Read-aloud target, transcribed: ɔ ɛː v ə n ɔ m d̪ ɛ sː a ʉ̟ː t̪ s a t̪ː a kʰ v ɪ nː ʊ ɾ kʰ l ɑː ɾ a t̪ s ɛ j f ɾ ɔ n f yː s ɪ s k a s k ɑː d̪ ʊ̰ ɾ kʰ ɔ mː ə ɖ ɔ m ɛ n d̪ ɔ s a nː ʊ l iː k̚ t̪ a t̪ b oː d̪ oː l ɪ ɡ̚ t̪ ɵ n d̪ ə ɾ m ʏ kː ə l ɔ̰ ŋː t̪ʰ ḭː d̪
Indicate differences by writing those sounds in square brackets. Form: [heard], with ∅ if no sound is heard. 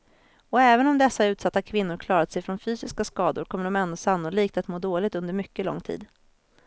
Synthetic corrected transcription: ɔ ɛː v ə n ɔ m d̪ ɛ sː a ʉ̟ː t̪ s a t̪ː a kʰ v ɪ nː ʊ ɾ kʰ l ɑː ɾ a t̪ s ɛ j f ɾ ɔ n f yː s ɪ s k a s k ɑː d̪ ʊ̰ ɾ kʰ ɔ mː ə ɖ ɔ m ɛ n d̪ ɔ s a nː ʊ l iː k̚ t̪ a t̪ [m] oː d̪ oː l ɪ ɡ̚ t̪ ɵ n d̪ ə ɾ m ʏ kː ə l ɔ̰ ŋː t̪ʰ ḭː d̪